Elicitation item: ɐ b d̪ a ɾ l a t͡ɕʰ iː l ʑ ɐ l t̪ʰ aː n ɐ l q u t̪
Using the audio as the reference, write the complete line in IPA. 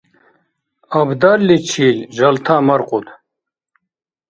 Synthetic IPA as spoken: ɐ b d̪ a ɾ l i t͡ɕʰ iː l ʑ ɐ l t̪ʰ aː m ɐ ɾ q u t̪